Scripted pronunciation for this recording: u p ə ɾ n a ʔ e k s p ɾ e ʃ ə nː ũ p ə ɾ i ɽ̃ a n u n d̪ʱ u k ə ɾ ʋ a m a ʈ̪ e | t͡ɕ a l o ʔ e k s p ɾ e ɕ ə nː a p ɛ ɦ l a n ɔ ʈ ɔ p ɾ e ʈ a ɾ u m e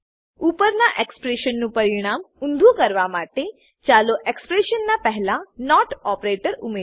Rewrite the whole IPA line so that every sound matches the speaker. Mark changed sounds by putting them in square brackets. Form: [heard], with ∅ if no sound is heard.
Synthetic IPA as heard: u p ə ɾ n a ʔ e k s p ɾ e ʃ ə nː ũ p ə ɾ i ɽ̃ a [m] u n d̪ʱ u k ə ɾ ʋ a m a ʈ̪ e | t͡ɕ a l o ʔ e k s p ɾ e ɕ ə nː a p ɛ ɦ l a n ɔ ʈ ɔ p ɾ e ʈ [ə] ɾ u m e

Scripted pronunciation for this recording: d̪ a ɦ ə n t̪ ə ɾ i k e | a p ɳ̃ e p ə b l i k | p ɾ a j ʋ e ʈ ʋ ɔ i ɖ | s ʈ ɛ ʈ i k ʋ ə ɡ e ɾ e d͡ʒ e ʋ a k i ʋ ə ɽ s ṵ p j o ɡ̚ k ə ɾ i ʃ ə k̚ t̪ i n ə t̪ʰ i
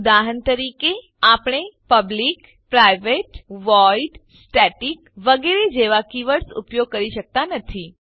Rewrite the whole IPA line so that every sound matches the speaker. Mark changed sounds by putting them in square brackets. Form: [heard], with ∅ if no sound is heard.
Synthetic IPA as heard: d̪ a ɦ ə n t̪ ə ɾ i k e | a p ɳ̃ e p ə b l i k | p ɾ a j ʋ e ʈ ʋ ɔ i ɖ | s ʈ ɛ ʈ i k ʋ ə ɡ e ɾ e d͡ʒ e ʋ a k i ʋ ə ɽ s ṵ p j o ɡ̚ k ə ɾ i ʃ ə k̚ t̪ [a] n ə t̪ʰ i

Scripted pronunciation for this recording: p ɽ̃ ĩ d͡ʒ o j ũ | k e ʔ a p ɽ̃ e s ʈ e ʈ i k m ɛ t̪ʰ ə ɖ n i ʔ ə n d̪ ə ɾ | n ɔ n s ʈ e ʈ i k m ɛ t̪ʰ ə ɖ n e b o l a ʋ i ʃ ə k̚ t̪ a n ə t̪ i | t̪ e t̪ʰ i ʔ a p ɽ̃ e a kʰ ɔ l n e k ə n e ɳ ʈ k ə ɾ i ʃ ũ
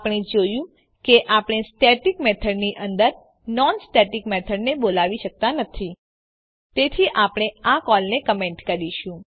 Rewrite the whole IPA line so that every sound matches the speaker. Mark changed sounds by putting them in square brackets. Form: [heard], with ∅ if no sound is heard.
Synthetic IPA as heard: p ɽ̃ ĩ d͡ʒ o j ũ | k e ʔ a p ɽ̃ e s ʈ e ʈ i k m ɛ t̪ʰ ə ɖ n i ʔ ə n d̪ ə ɾ | n ɔ n s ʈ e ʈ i k m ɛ t̪ʰ ə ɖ n e b o l a ʋ i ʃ ə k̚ t̪ a n ə [t̪ʰ] i | t̪ e t̪ʰ i ʔ a p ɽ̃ e a [k] ɔ l n e k ə [m] e ɳ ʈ k ə ɾ i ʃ ũ

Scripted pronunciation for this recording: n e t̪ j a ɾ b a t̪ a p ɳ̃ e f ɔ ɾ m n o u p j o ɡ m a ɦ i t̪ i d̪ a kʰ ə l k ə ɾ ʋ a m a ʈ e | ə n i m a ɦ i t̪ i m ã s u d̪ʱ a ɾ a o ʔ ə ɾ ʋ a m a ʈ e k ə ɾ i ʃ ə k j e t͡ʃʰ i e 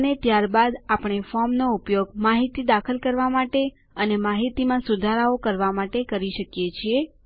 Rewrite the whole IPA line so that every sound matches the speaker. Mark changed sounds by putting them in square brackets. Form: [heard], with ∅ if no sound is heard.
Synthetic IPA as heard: n e t̪ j a ɾ b a [d̪] a p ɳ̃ e f ɔ ɾ m n o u p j o ɡ m a ɦ i t̪ i d̪ a kʰ ə l k ə ɾ ʋ a m a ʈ e | ə n [e] m a ɦ i t̪ i m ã s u d̪ʱ a ɾ a o [k] ə ɾ ʋ a m a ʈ e k ə ɾ i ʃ ə k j e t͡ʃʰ i e

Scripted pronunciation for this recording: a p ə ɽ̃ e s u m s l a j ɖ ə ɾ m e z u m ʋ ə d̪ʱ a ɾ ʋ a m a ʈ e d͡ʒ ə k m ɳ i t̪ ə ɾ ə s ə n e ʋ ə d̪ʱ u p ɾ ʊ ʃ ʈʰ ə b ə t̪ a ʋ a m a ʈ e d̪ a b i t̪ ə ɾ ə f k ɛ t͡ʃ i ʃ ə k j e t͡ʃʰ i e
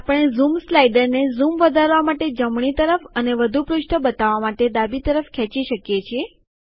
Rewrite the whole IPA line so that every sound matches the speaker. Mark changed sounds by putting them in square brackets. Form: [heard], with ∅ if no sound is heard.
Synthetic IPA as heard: a p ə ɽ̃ e [z] u m s l a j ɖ ə ɾ [n] e z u m ʋ ə d̪ʱ a ɾ ʋ a m a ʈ e d͡ʒ ə [∅] m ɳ i t̪ ə ɾ ə [f] ə n e ʋ ə d̪ʱ u p ɾ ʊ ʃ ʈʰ ə b ə t̪ a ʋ a m a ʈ e d̪ a b i t̪ ə ɾ ə f [kʰ] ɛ t͡ʃ i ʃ ə k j e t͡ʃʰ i e

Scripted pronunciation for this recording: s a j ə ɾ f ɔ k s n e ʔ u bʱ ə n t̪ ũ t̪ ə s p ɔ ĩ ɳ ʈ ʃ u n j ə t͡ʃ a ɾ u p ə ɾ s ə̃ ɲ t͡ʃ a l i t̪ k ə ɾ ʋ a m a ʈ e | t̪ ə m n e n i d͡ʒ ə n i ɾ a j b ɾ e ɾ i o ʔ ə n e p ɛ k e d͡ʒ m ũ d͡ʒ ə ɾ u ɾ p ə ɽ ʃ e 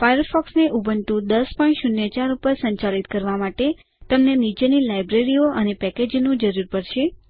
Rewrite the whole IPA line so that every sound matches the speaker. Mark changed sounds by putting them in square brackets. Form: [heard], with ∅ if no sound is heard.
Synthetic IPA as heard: [f] a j ə ɾ f ɔ k s n e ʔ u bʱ ə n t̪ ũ [d̪] ə s p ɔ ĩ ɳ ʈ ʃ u n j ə t͡ʃ a ɾ u p ə ɾ s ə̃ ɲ t͡ʃ a l i t̪ k ə ɾ ʋ a m a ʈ e | t̪ ə m n e n i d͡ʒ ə n i [l] a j b ɾ e ɾ i o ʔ ə n e p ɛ k e d͡ʒ [n] ũ d͡ʒ ə ɾ u ɾ p ə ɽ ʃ e

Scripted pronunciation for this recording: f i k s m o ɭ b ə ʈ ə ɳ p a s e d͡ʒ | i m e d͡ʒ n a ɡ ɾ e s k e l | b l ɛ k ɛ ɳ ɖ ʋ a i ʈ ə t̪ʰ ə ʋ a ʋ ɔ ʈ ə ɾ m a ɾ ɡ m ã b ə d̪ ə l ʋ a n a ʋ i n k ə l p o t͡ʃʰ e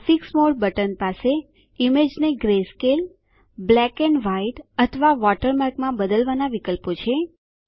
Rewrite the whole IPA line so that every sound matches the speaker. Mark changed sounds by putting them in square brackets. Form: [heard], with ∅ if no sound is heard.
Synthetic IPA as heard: f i k s m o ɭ b ə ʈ ə [n] p a s e [∅] | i m e d͡ʒ n [e] ɡ ɾ e s k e l | b l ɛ k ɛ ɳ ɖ ʋ a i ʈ ə t̪ʰ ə ʋ a ʋ ɔ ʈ ə ɾ m a ɾ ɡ m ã b ə d̪ ə l ʋ a n a ʋ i [∅] k ə l p o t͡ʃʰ e

